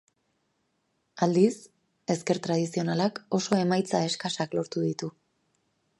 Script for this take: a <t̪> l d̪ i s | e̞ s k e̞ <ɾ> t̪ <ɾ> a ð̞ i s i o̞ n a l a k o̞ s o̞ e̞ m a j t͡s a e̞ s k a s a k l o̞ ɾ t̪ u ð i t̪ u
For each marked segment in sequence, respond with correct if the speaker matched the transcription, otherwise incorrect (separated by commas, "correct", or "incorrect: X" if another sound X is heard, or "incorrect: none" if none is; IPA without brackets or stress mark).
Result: incorrect: none, correct, correct